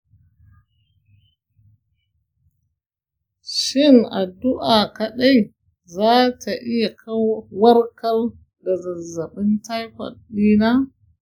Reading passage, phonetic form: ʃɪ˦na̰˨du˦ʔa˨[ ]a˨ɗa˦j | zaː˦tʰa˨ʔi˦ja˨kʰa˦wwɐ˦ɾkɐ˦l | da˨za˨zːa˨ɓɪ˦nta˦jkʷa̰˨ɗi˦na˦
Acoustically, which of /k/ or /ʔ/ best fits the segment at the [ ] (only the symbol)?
k